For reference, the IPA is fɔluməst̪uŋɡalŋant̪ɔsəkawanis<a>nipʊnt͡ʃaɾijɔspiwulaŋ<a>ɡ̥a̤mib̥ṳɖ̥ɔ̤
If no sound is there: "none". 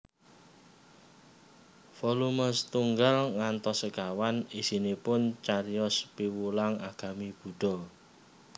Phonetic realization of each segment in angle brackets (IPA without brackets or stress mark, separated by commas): i, a